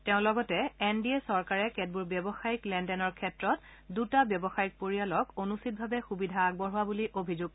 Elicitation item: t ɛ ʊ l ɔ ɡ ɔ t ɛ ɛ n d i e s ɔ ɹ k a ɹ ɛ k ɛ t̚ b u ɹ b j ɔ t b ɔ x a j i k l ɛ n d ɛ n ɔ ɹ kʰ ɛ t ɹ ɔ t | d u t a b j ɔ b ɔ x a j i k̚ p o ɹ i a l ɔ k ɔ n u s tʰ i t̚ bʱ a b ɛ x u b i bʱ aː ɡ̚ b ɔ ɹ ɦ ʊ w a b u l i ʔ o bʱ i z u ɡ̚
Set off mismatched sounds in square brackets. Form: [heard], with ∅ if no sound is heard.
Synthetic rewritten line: t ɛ [ʊ̃] l ɔ ɡ ɔ t ɛ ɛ n d i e s ɔ ɹ k a ɹ ɛ k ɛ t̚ b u ɹ b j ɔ [∅] b ɔ x a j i k l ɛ n d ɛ n ɔ ɹ kʰ ɛ t ɹ ɔ t | d u t a b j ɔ b ɔ x a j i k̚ p o ɹ i a l ɔ k [o] n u s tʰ i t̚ bʱ a b ɛ x u b i [dʱ] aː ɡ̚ b ɔ ɹ ɦ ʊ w a b u l i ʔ o bʱ i z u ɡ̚